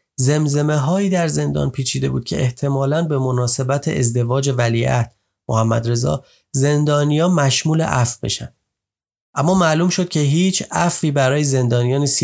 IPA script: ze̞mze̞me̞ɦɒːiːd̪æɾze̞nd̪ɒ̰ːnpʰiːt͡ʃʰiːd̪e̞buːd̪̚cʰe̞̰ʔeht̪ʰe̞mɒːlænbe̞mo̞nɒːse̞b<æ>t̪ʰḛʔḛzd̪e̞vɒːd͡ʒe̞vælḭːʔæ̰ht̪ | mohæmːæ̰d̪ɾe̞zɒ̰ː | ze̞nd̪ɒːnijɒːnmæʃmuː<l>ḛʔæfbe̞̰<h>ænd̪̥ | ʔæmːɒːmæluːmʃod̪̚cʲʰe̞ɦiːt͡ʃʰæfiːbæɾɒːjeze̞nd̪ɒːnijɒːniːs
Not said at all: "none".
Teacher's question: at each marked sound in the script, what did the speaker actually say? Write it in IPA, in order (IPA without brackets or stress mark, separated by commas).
æ, l, ʃ